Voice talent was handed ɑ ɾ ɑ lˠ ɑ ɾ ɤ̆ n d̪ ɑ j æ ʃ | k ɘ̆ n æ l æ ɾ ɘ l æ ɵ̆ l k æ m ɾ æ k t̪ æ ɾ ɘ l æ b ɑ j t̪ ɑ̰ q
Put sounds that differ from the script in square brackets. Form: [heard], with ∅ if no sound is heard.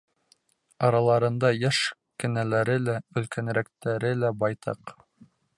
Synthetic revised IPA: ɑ ɾ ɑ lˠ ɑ ɾ ɤ̆ n d̪ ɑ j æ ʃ | k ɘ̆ n æ l æ ɾ ɘ l æ ɵ̆ l k æ [n] ɾ æ k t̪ æ ɾ ɘ l æ b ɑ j t̪ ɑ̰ q

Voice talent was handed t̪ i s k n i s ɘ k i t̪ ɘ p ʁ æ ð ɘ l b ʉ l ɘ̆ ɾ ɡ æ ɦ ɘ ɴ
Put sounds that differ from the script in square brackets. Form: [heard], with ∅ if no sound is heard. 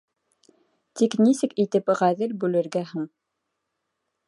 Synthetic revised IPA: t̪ i [∅] k n i s ɘ k i t̪ ɘ p ʁ æ ð ɘ l b ʉ l ɘ̆ ɾ ɡ æ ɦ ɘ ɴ

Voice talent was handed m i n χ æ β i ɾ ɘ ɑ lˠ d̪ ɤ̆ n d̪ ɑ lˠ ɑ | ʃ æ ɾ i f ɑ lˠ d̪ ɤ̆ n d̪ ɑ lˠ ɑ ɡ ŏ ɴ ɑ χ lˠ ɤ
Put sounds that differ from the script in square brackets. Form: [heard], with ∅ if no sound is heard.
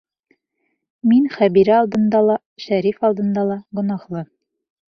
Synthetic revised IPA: m i n χ æ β i ɾ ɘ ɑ lˠ d̪ ɤ̆ n d̪ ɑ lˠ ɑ | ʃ æ ɾ i f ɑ lˠ d̪ ɤ̆ n d̪ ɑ lˠ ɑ ɡ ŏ [n] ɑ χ lˠ ɤ

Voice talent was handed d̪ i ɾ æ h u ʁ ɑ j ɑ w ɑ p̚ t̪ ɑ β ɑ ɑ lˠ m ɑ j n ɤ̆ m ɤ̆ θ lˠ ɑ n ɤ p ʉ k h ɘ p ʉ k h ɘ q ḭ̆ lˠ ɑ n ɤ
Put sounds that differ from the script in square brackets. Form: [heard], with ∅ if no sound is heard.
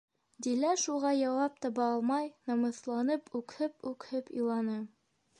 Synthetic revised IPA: d̪ i [l] æ [ʃ] u ʁ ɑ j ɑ w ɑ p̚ t̪ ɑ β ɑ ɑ lˠ m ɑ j n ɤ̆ m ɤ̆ θ lˠ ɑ n ɤ p ʉ k h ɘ p ʉ k h ɘ [p] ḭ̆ lˠ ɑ n ɤ

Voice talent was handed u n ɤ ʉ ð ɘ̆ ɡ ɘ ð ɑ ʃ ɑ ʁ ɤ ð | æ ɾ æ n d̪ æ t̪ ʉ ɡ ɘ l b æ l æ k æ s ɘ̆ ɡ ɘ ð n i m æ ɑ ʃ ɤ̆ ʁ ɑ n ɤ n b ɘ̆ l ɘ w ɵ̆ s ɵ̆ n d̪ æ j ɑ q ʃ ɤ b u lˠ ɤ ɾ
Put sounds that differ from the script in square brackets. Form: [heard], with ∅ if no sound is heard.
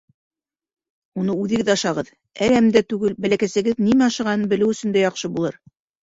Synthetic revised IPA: u n ɤ ʉ ð ɘ̆ ɡ ɘ ð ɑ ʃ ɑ ʁ ɤ ð | æ ɾ æ [m] d̪ æ t̪ ʉ ɡ ɘ l b æ l æ k æ s ɘ̆ ɡ ɘ ð n i m æ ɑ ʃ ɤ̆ ʁ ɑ n ɤ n b ɘ̆ l ɘ w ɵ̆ s ɵ̆ n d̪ æ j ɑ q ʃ ɤ b u lˠ ɤ ɾ

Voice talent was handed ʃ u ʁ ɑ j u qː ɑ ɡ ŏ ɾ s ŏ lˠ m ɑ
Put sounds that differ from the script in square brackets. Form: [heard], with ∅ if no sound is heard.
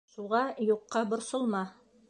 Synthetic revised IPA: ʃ u ʁ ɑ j u qː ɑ [b] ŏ ɾ s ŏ lˠ m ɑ

